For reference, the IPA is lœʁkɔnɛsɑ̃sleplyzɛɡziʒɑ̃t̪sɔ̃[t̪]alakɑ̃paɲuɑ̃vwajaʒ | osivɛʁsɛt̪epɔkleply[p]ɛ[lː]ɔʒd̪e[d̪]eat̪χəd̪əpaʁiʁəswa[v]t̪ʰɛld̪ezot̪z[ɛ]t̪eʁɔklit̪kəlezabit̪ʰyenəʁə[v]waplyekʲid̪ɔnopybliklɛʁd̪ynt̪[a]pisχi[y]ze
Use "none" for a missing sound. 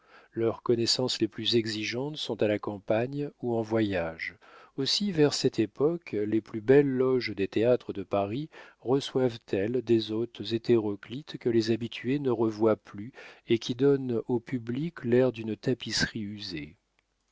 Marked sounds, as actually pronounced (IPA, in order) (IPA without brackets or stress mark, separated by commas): t̪, b, lː, t̪, v, e, v, a, y